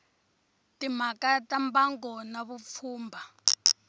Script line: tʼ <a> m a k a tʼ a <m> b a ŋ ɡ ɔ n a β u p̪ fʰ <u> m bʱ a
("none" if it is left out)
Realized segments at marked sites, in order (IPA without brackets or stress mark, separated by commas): i, m, uː